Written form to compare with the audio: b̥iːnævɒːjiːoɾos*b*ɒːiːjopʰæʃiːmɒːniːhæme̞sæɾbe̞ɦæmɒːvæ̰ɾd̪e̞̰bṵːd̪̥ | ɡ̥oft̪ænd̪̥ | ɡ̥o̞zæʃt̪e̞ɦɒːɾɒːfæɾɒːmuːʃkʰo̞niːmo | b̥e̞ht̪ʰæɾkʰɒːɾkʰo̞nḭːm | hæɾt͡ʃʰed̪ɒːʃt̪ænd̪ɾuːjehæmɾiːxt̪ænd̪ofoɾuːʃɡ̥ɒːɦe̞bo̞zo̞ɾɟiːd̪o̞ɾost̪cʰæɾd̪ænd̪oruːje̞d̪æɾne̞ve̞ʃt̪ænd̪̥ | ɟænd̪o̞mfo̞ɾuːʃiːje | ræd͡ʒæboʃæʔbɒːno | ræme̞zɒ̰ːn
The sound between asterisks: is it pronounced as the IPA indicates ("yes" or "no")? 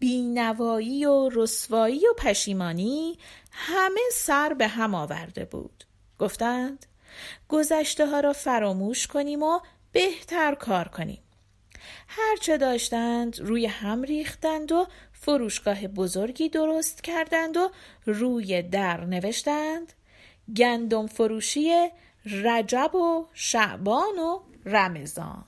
no